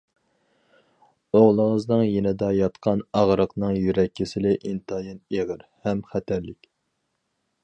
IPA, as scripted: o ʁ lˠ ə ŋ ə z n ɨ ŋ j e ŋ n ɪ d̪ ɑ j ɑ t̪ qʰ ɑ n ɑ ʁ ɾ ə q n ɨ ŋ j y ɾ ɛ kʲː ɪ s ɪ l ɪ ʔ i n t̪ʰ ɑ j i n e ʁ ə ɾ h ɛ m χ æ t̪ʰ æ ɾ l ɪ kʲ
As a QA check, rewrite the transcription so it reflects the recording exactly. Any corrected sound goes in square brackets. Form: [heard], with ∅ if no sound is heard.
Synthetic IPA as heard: o ʁ lˠ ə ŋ ə z n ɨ ŋ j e [∅] n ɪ d̪ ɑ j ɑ t̪ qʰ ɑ n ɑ ʁ ɾ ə q n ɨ ŋ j y ɾ ɛ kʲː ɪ s ɪ l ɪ ʔ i n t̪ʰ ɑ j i n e ʁ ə ɾ h ɛ m χ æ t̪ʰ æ ɾ l ɪ kʲ